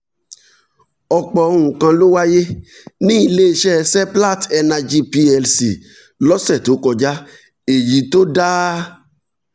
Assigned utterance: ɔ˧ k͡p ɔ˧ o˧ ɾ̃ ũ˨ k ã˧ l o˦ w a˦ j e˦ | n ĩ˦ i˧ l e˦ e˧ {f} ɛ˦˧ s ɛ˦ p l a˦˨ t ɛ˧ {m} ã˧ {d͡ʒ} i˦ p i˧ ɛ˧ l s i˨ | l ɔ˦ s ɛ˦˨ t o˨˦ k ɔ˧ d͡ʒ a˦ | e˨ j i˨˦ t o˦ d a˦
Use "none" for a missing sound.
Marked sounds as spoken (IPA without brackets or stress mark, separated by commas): ʃ, n, d͡ʒ